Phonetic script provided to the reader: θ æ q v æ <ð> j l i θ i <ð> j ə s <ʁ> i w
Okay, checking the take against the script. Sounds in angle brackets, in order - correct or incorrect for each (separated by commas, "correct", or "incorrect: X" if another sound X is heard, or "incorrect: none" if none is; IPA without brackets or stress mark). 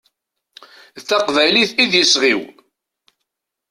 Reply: incorrect: none, correct, correct